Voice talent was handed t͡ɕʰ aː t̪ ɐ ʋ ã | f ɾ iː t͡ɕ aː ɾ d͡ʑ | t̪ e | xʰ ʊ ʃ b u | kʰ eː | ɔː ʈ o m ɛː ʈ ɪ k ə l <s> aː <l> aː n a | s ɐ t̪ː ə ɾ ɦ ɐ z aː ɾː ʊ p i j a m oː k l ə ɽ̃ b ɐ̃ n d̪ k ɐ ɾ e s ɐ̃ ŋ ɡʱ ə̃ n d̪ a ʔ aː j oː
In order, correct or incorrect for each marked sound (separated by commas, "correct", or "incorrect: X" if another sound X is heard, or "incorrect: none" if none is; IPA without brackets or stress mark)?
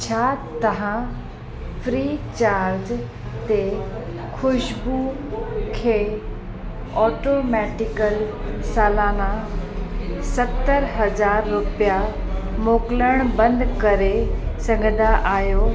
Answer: correct, correct